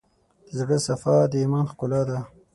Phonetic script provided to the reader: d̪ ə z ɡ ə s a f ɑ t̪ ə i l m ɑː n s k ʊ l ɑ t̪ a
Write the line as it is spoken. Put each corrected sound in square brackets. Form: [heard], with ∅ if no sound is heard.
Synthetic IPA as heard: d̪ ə z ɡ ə s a f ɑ [d̪] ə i [∅] m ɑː n [x] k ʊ l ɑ [d̪] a